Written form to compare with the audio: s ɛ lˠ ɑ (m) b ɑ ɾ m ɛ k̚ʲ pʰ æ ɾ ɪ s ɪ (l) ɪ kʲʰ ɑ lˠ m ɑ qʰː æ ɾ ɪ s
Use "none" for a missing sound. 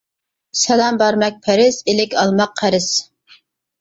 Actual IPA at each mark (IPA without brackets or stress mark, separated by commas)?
m, l